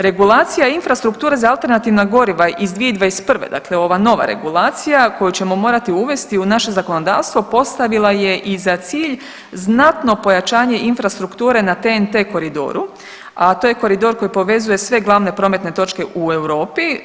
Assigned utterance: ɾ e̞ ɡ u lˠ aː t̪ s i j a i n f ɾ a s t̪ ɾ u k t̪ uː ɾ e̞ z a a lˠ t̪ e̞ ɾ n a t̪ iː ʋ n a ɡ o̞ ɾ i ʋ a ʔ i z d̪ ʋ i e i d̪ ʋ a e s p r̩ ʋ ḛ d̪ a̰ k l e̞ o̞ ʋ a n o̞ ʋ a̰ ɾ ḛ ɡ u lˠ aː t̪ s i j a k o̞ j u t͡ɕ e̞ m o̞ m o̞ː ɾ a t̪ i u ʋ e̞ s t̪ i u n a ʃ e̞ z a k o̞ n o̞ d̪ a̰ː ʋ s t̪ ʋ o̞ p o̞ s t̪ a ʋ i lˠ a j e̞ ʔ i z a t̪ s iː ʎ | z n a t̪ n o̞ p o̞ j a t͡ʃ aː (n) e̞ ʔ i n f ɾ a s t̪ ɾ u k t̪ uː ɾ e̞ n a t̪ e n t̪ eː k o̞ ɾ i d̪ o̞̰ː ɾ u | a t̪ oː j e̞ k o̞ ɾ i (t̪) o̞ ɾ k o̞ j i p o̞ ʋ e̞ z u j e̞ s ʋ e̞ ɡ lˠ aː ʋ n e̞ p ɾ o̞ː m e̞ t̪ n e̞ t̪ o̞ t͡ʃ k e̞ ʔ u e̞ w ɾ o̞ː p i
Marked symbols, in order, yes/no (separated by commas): no, no